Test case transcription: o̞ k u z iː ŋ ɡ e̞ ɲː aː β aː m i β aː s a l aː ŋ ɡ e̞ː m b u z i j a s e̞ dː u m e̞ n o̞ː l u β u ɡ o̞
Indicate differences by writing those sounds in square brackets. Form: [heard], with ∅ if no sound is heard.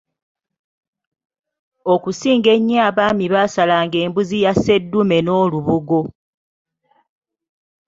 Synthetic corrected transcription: o̞ k u [s] iː ŋ ɡ e̞ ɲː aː β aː m i β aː s a l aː ŋ ɡ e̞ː m b u z i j a s e̞ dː u m e̞ n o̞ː l u β u ɡ o̞